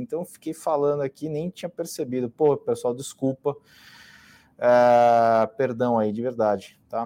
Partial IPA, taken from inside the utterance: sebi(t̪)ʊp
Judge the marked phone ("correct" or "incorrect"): incorrect